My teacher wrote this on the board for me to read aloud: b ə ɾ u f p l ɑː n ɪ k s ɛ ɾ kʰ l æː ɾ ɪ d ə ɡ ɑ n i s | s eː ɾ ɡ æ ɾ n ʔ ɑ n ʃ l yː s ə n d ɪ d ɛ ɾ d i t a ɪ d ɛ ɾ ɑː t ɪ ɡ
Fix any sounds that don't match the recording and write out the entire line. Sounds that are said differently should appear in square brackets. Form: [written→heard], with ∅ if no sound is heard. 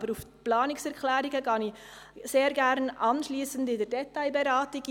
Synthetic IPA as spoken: b ə ɾ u f p l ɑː n ɪ k s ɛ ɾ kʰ l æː ɾ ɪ [d→ɡ] ə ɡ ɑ n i [s→∅] | s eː ɾ ɡ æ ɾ n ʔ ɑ n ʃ l [yː→iː] s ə n d ɪ d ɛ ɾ d [i→ɛ] t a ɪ [d→b] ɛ ɾ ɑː t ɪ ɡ